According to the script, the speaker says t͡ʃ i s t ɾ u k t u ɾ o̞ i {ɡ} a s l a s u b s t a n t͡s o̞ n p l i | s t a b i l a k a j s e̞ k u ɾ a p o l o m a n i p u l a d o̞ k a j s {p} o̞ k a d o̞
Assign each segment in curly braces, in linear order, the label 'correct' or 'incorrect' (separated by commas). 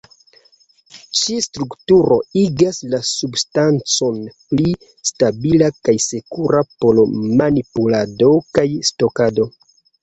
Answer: correct, incorrect